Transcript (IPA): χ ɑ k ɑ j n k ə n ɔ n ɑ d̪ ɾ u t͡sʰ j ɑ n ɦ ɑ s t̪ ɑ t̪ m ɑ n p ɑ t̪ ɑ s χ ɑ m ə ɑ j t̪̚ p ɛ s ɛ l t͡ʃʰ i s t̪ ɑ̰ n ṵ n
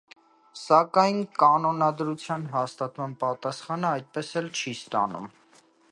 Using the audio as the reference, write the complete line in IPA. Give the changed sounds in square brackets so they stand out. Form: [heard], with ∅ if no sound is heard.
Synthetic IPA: [s] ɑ k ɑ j n k [ɑ] n ɔ n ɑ d̪ ɾ u t͡sʰ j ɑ n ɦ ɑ s t̪ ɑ t̪ m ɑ n p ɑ t̪ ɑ s χ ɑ [n] ə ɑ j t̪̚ p ɛ s ɛ l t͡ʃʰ i s t̪ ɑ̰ n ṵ [m]